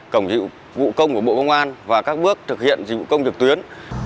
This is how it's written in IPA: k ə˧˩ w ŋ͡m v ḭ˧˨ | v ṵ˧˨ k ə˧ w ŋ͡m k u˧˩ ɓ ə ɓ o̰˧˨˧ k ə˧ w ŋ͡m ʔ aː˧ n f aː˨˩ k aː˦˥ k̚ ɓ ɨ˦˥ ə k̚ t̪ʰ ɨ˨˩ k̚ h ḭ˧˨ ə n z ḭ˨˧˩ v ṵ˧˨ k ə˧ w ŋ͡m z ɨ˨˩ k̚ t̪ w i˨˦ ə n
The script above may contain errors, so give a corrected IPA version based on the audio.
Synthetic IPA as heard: k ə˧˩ w ŋ͡m z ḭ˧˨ | v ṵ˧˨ k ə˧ w ŋ͡m k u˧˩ ə ɓ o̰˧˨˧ k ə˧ w ŋ͡m ʔ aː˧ n v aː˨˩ k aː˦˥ k̚ ɓ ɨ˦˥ ə k̚ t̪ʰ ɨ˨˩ k̚ h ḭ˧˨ ə n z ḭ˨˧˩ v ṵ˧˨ k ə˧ w ŋ͡m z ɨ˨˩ k̚ t̪ w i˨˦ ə n